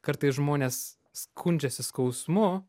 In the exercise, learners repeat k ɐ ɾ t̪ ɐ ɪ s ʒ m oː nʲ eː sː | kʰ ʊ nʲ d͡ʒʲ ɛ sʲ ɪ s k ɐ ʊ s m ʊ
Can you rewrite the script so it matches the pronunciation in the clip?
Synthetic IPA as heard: k ɐ ɾ t̪ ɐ ɪ s ʒ m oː nʲ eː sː | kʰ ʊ nʲ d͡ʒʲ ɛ sʲ ɪ s k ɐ ʊ s m ʊ